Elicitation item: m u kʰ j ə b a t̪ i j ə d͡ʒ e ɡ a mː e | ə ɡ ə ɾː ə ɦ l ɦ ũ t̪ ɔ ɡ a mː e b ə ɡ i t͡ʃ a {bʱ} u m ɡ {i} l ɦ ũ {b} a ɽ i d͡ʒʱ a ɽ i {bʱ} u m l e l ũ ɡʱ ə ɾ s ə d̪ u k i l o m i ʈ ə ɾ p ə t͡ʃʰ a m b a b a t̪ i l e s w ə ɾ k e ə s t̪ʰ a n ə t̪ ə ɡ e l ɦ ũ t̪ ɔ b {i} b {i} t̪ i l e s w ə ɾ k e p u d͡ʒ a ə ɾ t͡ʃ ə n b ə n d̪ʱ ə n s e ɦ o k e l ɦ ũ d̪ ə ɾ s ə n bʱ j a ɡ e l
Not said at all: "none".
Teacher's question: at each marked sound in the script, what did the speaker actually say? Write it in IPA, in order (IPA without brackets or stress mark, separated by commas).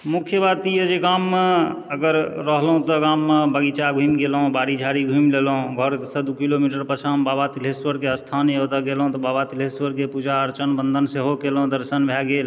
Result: ɡʱ, e, b, ɡʱ, a, a